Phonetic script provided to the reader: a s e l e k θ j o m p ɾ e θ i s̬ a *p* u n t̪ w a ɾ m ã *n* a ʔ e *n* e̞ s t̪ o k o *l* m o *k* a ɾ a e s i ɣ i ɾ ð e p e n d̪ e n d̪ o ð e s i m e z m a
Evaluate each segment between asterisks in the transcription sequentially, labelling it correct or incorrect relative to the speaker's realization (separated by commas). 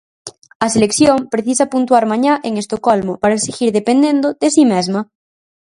correct, incorrect, incorrect, correct, incorrect